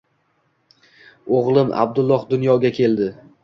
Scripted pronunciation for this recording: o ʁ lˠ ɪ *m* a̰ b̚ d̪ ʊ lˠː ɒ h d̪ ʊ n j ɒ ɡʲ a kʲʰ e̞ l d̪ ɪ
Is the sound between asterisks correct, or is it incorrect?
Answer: correct